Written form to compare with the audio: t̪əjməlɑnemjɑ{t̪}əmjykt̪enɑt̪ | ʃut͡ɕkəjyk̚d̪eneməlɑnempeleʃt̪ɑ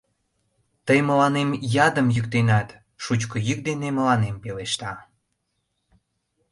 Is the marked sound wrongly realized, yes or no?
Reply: yes